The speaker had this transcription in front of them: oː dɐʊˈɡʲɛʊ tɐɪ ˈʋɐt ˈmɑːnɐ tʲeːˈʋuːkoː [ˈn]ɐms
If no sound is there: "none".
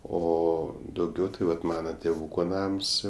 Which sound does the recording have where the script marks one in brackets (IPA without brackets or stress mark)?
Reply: n